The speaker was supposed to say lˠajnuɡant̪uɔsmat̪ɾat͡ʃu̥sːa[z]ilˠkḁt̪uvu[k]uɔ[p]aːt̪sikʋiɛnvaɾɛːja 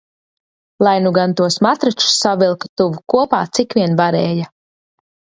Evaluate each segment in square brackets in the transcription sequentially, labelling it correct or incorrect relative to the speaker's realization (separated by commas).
incorrect, correct, correct